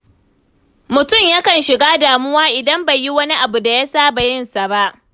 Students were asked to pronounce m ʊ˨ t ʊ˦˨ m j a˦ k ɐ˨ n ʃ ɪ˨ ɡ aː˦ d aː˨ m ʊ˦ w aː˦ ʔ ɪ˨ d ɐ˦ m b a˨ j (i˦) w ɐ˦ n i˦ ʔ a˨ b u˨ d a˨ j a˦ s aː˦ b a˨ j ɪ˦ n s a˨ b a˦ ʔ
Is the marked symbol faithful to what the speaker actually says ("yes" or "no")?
yes